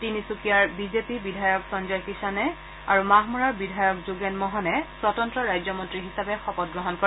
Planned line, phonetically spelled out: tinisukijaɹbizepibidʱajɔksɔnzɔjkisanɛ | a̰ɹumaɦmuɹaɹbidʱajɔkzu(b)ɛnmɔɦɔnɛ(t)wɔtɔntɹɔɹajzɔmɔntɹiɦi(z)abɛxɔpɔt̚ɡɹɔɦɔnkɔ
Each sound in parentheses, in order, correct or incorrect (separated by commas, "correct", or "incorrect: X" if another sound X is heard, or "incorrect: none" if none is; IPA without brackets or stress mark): incorrect: ɡ, incorrect: s, incorrect: s